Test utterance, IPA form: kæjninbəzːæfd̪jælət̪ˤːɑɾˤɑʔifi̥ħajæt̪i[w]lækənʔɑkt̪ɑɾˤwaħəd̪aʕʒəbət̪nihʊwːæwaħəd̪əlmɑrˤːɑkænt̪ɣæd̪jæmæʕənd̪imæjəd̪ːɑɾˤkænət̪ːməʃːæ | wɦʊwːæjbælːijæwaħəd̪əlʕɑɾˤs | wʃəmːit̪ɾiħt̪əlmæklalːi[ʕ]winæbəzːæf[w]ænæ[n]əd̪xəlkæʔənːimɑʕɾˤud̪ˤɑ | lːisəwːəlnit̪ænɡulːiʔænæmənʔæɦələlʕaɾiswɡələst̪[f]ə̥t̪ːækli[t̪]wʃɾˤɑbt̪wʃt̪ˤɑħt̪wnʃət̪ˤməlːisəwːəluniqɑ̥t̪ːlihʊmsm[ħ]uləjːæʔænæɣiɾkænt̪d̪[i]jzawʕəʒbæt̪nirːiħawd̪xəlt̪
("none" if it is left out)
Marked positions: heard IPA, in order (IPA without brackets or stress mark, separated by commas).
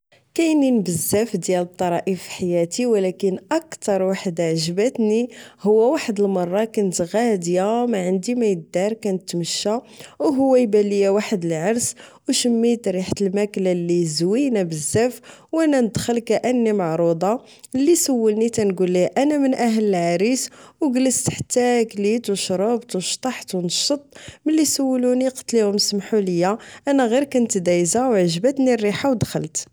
w, z, w, n, ħ, t̪, ħ, æ